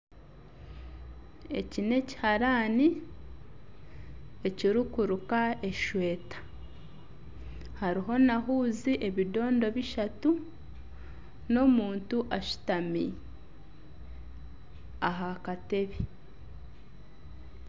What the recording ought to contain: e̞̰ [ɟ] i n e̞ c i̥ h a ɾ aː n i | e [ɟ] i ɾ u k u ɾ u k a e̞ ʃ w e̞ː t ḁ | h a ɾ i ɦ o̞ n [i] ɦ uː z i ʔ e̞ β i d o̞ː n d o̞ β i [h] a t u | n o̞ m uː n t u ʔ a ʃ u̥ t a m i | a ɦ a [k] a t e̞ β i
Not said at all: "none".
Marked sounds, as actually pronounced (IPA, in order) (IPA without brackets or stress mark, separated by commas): c, c, a, ʃ, k